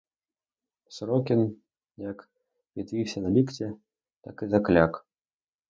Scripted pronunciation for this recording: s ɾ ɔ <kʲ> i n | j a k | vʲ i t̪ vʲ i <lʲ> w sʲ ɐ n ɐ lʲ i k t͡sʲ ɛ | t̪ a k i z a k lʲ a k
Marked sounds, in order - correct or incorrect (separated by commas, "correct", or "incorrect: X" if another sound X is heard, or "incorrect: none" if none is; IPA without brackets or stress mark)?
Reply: correct, incorrect: none